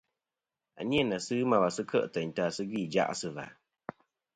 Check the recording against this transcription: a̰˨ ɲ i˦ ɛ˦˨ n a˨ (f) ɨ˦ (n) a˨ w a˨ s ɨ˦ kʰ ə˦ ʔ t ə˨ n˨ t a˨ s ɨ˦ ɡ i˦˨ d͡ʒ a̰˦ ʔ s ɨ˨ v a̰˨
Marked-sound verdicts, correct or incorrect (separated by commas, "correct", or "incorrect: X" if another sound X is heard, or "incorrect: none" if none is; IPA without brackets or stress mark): incorrect: s, incorrect: m